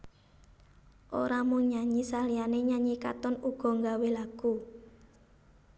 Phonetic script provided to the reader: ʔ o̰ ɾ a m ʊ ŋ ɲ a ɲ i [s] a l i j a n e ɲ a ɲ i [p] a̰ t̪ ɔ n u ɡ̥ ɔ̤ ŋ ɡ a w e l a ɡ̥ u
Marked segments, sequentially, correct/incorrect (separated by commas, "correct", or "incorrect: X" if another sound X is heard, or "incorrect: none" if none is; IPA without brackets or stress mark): correct, incorrect: k